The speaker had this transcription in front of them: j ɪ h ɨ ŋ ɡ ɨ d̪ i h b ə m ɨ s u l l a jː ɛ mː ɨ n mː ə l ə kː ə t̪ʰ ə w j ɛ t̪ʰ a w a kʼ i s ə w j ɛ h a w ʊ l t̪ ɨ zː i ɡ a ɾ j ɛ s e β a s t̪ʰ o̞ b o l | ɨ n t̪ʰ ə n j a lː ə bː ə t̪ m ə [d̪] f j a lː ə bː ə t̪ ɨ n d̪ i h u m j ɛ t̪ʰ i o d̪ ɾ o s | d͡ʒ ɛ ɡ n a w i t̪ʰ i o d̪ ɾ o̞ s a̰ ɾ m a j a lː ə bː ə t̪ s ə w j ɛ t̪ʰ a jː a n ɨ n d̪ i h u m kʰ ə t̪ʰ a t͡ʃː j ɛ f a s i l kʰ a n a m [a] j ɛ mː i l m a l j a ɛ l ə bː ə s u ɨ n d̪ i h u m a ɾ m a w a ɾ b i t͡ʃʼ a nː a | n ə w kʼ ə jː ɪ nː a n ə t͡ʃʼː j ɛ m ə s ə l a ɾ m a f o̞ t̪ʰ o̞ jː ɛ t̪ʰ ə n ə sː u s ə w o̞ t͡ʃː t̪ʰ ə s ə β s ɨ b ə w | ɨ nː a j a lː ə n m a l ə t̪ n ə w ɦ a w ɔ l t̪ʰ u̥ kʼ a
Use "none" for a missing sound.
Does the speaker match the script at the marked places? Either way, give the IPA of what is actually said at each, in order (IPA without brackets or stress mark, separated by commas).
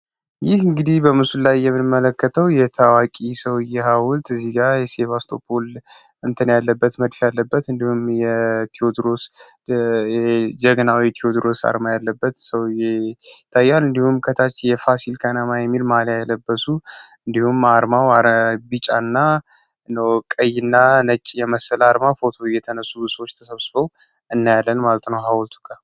d̪, a